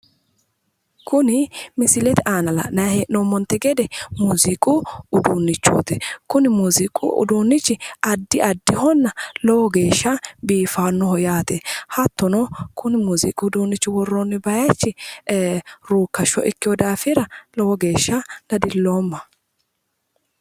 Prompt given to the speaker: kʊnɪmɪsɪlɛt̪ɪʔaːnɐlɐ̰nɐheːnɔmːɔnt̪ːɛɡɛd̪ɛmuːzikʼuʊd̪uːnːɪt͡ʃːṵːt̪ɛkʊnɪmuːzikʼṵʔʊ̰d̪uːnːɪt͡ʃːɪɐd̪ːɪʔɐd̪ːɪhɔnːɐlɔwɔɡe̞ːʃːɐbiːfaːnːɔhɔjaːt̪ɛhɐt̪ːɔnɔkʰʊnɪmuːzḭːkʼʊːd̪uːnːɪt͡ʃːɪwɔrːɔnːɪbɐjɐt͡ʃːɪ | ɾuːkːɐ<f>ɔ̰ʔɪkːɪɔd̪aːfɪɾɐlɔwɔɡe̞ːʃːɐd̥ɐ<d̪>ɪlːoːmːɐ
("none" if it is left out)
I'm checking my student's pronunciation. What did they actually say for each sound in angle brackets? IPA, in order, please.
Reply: ʃ, d̪

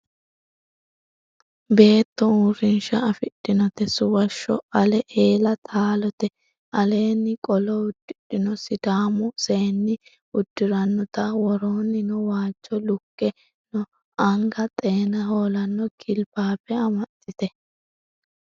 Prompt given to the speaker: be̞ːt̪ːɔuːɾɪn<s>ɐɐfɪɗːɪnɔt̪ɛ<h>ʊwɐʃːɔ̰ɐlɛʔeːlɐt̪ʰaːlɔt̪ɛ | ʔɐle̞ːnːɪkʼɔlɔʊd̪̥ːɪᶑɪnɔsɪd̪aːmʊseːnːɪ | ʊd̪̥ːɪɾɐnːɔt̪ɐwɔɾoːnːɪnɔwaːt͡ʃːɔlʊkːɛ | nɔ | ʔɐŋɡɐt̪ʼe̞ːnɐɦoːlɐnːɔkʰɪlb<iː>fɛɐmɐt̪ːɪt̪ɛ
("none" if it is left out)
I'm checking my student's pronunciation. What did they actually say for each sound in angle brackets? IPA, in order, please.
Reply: ʃ, s, aː

